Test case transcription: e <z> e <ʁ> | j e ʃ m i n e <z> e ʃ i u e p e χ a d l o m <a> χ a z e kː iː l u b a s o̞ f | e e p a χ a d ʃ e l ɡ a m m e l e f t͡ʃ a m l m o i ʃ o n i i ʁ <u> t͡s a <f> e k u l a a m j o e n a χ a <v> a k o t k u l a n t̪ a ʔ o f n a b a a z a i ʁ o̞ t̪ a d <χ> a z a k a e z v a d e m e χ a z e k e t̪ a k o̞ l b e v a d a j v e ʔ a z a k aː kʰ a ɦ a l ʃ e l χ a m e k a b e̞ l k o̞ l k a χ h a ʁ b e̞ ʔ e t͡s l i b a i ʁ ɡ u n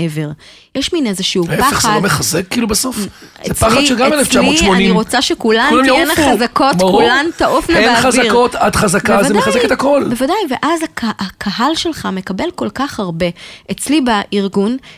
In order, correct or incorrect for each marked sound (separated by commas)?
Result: incorrect, correct, correct, incorrect, incorrect, incorrect, incorrect, correct